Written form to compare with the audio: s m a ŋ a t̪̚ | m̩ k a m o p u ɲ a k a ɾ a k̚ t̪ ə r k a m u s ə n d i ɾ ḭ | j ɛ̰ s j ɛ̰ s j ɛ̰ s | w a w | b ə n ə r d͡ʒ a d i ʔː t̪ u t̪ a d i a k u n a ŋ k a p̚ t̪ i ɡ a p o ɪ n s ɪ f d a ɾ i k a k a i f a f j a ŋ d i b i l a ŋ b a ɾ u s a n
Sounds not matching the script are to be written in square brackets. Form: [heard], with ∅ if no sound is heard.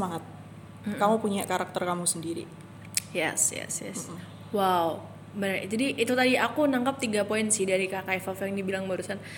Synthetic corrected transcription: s m a ŋ a t̪̚ | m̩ k a m [u] p u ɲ a k a ɾ a k̚ t̪ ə r k a m u s ə n d i ɾ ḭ | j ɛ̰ s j ɛ̰ s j ɛ̰ s | w a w | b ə n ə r d͡ʒ a d i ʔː t̪ u t̪ a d i a k u n a ŋ k a p̚ t̪ i ɡ a p o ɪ n s ɪ [h] d a ɾ i k a k a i f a f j a ŋ d i b i l a ŋ b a ɾ u s a n